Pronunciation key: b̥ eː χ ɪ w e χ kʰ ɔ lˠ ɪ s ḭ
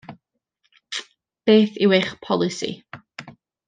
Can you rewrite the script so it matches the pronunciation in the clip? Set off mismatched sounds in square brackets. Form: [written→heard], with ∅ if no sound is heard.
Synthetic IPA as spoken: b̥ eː [χ→θ] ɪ w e χ [kʰ→pʰ] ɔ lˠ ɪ s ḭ